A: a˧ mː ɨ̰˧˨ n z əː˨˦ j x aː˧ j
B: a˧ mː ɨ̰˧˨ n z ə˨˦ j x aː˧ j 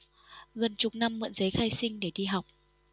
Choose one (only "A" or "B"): B